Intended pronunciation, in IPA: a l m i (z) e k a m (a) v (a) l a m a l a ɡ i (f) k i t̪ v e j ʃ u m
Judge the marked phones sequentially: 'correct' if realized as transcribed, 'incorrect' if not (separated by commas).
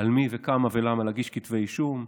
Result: incorrect, correct, incorrect, incorrect